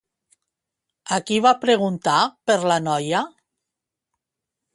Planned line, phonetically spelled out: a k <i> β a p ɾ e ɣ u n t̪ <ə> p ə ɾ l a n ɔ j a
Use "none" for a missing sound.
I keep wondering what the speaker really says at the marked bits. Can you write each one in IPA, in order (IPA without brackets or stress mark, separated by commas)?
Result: i, a